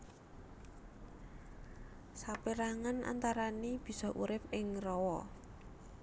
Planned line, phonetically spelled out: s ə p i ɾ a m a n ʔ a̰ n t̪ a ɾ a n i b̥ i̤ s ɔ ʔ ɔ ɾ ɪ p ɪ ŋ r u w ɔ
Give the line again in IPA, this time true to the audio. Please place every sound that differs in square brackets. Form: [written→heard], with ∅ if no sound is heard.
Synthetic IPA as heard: s [ə→a] p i ɾ a [m→ŋ] a n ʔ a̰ n t̪ a ɾ a n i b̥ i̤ s ɔ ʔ [ɔ→u] ɾ ɪ p ɪ ŋ r [u→ɔ] w ɔ